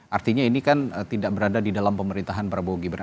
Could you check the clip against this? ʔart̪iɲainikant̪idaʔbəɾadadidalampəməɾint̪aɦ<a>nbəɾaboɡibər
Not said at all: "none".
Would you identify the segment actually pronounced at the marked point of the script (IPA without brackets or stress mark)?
a